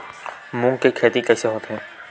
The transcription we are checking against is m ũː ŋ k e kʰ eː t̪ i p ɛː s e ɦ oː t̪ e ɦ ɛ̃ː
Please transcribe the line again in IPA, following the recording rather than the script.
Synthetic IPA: m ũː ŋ k e kʰ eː t̪ i k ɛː s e ɦ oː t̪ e ɦ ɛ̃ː